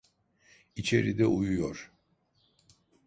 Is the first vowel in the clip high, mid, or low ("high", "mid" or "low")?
high